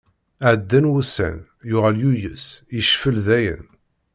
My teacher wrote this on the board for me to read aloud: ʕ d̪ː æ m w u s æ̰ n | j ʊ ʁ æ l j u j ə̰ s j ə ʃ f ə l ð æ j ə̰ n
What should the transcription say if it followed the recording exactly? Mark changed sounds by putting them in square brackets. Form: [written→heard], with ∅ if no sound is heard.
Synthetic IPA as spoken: ʕ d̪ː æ [m→n] w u s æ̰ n | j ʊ ʁ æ l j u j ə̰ s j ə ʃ f ə l ð æ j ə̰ n

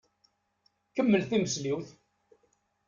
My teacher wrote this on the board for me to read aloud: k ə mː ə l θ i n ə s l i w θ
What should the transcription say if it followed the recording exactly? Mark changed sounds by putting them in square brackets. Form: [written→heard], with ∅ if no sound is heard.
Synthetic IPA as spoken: k ə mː ə l θ i [n→m] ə s l i w θ

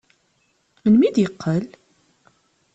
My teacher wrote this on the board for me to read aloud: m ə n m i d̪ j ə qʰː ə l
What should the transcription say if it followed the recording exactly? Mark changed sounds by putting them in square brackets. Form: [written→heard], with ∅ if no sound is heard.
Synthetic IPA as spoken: m ə n m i d̪ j ə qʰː ə l

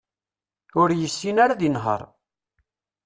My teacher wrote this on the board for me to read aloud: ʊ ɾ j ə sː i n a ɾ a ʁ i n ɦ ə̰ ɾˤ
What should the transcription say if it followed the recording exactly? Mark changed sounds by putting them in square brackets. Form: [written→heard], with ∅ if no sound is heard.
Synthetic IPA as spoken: ʊ ɾ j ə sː i n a ɾ a [ʁ→ð] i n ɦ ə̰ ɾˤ

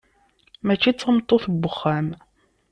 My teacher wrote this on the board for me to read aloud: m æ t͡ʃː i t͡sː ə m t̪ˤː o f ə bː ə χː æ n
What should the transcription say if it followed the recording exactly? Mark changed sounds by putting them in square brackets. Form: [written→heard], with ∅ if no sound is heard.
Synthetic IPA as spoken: m æ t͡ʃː i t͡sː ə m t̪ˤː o [f→θ] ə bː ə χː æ [n→m]

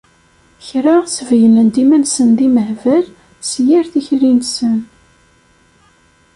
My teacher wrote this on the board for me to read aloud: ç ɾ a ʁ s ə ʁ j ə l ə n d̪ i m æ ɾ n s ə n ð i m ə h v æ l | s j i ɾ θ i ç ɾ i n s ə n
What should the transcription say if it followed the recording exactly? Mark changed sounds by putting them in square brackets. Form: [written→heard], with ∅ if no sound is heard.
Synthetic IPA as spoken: ç ɾ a ʁ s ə [ʁ→v] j ə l ə n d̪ i m æ [ɾ→∅] n s ə n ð i m ə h v æ l | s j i ɾ θ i ç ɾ i n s ə n

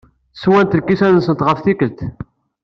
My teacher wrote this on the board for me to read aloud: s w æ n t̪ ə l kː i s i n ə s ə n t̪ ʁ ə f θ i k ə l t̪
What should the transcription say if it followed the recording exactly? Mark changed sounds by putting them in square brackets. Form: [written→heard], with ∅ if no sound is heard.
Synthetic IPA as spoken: s w æ n t̪ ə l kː i s [i→æ] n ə s ə n t̪ ʁ ə f θ i k ə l t̪

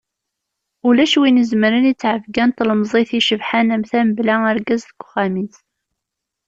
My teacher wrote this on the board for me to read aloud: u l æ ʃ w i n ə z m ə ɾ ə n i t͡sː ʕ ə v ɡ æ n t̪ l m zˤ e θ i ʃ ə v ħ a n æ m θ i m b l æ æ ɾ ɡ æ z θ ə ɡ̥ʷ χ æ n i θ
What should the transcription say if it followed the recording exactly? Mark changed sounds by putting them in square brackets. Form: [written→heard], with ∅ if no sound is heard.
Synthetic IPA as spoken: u l æ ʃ w i n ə z m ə ɾ ə n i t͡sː ʕ ə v ɡ æ n t̪ l m zˤ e θ i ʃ ə v ħ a n æ m θ [i→æ] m b l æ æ ɾ ɡ æ z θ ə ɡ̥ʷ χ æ [n→m] i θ

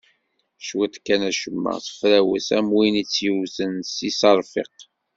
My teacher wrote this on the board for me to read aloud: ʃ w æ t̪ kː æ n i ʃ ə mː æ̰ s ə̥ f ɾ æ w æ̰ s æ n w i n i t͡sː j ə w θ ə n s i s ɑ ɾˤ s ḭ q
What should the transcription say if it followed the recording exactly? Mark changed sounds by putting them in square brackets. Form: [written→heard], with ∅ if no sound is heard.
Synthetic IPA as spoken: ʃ w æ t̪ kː æ n [i→æ] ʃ ə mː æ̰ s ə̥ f ɾ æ w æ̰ s æ [n→m] w i n i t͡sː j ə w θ ə n s i s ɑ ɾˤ [s→f] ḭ q

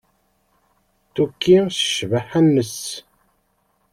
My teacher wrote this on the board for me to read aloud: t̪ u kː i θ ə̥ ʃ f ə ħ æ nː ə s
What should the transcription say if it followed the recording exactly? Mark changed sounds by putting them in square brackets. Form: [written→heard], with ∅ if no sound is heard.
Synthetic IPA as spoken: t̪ u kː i [θ→s] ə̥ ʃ [f→v] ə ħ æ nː ə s

